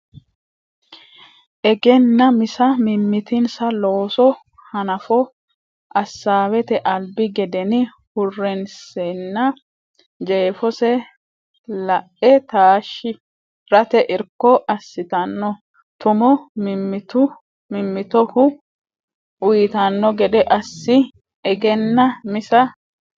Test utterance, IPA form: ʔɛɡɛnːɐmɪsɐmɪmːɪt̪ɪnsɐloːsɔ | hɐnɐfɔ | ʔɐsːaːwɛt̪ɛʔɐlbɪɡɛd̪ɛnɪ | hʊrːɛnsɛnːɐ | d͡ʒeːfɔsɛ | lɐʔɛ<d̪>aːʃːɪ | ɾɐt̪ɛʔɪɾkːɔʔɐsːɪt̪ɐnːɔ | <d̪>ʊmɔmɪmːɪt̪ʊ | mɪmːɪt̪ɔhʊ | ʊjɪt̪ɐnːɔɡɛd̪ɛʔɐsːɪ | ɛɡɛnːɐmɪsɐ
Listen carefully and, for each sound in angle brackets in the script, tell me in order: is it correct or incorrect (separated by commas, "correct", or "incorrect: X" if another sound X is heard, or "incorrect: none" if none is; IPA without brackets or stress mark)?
incorrect: t̪, incorrect: t̪